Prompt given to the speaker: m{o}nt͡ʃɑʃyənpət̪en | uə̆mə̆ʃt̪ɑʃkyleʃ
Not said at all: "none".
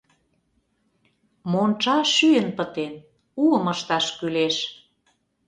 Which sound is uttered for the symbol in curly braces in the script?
o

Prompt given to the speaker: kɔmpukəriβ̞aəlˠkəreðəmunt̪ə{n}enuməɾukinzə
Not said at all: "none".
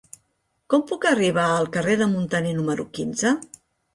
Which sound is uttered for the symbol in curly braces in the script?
n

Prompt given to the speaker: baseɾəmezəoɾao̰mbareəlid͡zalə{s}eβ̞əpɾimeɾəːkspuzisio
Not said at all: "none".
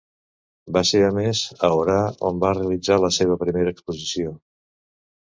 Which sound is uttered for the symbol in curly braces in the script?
s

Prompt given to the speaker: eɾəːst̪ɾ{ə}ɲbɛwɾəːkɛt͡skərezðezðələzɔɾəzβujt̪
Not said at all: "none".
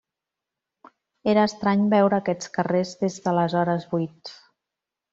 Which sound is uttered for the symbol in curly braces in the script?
a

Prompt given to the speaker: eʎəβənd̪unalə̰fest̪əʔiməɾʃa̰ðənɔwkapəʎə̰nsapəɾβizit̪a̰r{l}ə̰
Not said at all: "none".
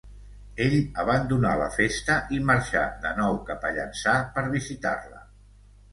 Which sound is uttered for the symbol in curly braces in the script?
l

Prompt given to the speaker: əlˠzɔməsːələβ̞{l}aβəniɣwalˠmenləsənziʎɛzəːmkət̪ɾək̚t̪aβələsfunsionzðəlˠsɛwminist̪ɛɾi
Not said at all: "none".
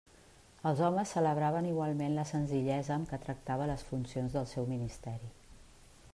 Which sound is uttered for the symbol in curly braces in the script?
ɾ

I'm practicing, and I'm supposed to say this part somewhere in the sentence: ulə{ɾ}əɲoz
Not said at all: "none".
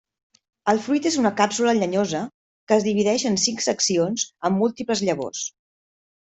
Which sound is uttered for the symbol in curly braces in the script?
ʎ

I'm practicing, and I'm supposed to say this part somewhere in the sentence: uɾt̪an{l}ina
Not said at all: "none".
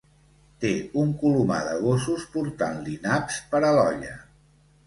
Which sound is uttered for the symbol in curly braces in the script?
l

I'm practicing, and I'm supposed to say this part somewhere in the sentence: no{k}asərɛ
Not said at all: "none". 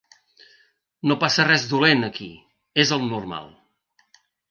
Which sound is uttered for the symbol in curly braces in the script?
p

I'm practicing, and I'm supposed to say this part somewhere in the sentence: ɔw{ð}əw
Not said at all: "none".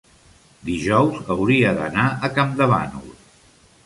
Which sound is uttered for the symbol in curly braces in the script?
z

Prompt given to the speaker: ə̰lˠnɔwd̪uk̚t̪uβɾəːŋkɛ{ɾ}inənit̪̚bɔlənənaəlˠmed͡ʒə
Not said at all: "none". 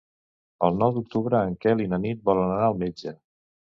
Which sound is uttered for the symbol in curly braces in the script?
l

